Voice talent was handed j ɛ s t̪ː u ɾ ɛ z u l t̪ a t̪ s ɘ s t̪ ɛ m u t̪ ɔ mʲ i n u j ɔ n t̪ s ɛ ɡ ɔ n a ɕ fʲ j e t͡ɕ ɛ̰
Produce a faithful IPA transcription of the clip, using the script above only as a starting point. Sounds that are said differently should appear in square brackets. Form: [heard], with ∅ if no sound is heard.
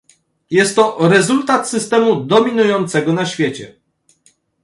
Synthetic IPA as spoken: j ɛ s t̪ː [ɔ] ɾ ɛ z u l t̪ a t̪ s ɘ s t̪ ɛ m u [d̪] ɔ mʲ i n u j ɔ n t̪ s ɛ ɡ ɔ n a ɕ fʲ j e t͡ɕ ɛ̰